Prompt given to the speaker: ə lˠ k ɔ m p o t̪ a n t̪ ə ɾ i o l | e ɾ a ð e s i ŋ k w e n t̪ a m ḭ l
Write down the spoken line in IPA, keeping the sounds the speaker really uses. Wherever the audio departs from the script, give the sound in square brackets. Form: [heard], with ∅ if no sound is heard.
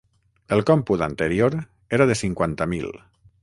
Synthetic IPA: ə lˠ k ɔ m p [u] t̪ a n t̪ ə ɾ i o [ɾ] | e ɾ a ð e s i ŋ k w [a] n t̪ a m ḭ l